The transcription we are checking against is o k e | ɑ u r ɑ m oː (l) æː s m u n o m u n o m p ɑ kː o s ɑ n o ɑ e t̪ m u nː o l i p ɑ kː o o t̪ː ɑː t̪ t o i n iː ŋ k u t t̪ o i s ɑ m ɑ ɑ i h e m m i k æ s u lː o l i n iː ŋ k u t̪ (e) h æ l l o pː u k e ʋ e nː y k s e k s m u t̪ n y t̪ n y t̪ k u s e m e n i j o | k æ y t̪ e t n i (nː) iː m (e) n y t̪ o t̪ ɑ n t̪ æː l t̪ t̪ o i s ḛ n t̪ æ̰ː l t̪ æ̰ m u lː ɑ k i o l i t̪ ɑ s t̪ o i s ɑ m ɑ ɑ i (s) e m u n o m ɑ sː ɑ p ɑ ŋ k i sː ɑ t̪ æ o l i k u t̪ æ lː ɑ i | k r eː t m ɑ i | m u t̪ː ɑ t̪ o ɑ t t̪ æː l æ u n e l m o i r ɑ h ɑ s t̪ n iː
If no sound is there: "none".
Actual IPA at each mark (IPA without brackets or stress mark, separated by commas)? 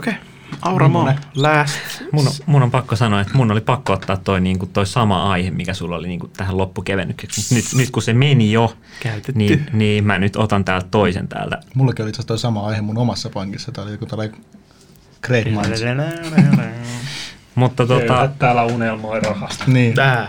l, æ, n, æ, h